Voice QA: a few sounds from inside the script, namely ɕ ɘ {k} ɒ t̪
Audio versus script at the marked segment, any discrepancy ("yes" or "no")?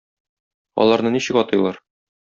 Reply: no